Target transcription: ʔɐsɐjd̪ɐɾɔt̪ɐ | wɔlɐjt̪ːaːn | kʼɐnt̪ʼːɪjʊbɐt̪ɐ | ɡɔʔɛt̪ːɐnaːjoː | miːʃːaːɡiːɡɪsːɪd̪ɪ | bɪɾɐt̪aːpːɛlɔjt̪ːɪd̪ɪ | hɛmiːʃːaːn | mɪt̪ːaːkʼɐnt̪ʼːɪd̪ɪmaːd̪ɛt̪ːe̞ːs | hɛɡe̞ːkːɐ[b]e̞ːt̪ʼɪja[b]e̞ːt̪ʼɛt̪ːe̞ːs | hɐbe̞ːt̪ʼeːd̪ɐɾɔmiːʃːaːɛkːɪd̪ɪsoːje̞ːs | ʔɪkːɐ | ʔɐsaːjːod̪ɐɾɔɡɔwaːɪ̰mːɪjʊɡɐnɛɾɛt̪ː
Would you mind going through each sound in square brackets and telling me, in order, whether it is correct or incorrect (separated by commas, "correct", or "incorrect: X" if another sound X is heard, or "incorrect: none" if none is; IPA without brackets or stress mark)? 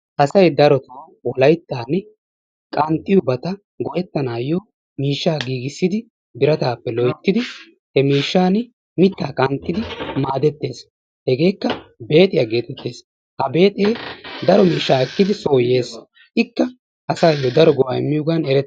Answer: correct, incorrect: ɡ